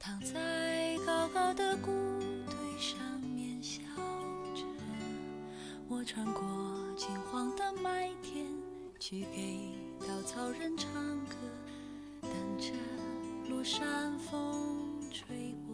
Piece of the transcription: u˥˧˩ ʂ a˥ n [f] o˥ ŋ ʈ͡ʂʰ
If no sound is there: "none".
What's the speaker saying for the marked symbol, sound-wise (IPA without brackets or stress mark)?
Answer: f